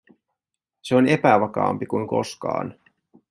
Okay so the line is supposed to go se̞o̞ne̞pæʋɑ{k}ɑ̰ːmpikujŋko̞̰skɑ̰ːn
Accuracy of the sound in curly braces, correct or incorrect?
correct